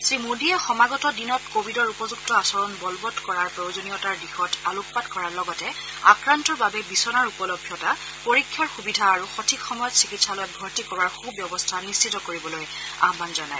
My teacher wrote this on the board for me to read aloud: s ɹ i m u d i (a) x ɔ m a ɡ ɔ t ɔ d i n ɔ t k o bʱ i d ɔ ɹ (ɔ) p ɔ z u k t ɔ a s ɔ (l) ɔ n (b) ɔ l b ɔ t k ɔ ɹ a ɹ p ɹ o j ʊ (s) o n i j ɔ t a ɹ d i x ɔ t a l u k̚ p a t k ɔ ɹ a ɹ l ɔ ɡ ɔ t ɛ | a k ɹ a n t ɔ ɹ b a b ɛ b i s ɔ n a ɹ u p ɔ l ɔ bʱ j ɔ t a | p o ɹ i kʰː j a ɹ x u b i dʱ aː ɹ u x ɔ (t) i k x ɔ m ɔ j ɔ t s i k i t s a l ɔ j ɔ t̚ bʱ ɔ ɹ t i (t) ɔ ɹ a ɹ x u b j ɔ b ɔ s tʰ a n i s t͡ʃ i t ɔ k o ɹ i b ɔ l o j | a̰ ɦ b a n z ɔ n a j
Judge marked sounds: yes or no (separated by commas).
no, no, no, yes, no, no, no